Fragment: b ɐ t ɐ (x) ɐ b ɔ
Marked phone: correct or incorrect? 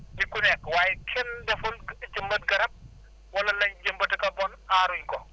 incorrect